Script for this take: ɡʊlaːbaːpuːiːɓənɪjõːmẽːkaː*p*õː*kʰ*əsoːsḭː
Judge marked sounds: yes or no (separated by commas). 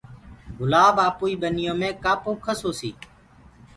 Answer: yes, yes